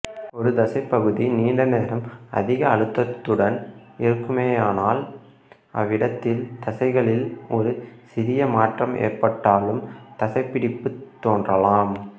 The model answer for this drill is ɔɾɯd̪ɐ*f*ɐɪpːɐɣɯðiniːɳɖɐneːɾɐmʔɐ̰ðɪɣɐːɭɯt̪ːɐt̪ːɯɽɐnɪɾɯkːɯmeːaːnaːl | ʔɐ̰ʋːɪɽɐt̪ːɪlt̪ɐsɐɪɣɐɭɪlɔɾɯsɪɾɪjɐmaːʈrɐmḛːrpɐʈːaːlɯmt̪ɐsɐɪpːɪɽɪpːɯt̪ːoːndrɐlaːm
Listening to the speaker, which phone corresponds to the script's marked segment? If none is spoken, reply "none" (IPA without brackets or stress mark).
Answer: s